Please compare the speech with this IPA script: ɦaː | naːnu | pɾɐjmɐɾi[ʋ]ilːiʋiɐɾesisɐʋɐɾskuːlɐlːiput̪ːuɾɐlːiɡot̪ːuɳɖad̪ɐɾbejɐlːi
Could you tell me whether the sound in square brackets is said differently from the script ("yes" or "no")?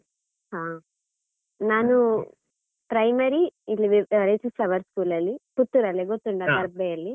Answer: yes